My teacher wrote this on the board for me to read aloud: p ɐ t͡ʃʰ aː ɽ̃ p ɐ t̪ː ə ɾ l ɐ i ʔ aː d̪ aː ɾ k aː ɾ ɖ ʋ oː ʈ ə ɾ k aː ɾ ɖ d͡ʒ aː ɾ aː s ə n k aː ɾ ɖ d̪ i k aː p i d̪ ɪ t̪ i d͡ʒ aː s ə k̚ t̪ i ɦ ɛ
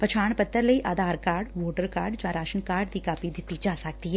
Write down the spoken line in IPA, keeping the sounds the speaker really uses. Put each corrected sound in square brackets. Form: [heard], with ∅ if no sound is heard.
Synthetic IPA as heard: p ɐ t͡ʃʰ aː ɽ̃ p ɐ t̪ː ə ɾ l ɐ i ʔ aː d̪ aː ɾ k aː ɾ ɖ ʋ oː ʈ ə ɾ k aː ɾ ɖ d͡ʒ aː ɾ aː [ʃ] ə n k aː ɾ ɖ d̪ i k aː p i d̪ ɪ t̪ i d͡ʒ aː s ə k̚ t̪ i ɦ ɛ

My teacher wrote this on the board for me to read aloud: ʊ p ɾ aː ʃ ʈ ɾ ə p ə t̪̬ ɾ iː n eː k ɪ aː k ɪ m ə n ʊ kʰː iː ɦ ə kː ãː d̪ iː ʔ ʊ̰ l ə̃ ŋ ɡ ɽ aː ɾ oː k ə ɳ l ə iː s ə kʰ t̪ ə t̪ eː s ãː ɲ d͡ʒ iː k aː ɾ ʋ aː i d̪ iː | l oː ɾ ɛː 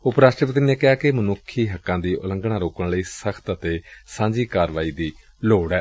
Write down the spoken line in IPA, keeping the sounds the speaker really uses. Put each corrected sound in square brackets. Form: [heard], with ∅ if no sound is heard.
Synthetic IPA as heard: ʊ p ɾ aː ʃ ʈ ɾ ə p ə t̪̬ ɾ iː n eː k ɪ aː k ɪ m ə n ʊ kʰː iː ɦ ə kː ãː d̪ iː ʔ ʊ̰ l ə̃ ŋ ɡ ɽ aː ɾ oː k ə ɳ l ə iː s ə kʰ t̪ ə t̪ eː s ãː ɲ d͡ʒ iː k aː ɾ ʋ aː [iː] d̪ iː | l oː [ɽ] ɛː

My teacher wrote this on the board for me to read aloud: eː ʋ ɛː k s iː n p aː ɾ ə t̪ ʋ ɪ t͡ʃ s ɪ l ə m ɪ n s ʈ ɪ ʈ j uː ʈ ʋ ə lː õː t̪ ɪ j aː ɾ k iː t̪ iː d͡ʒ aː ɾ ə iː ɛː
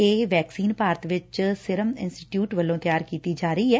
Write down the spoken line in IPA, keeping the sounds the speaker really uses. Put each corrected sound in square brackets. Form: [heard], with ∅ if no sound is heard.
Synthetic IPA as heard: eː ʋ ɛː k s iː n p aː ɾ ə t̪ ʋ ɪ t͡ʃ s ɪ [ɾ] ə m ɪ n s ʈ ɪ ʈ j uː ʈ ʋ ə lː õː t̪ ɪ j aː ɾ k iː t̪ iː d͡ʒ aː ɾ ə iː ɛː

